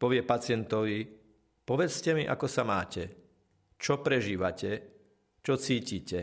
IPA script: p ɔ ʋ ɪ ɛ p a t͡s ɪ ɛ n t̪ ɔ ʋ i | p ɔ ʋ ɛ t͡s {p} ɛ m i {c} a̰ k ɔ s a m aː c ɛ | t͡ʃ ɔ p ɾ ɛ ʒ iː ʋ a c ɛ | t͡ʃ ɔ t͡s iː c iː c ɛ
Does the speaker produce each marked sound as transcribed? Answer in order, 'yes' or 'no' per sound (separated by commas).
no, no